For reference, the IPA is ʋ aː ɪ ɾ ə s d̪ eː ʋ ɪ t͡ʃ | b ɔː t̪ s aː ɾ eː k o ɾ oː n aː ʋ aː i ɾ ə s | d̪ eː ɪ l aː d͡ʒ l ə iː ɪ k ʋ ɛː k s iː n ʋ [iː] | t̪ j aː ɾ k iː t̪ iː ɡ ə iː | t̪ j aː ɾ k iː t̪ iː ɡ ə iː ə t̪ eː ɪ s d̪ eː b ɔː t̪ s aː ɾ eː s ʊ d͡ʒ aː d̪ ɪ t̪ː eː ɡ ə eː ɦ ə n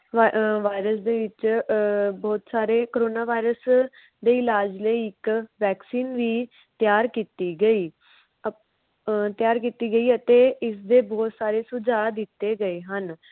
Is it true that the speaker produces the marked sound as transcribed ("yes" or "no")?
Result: yes